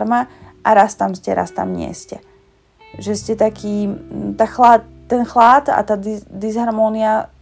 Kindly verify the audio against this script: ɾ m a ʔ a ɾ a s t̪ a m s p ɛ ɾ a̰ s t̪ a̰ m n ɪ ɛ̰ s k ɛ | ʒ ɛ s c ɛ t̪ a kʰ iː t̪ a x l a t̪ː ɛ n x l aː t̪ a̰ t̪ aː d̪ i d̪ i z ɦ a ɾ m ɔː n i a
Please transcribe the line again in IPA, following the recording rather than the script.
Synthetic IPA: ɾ m a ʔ a ɾ a s t̪ a m s c ɛ ɾ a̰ s t̪ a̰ m ɲ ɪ ɛ̰ s c ɛ | ʒ ɛ s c ɛ t̪ a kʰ iː t̪ a x l a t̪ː ɛ n x l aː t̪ a̰ t̪ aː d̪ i d̪ i z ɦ a ɾ m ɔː n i a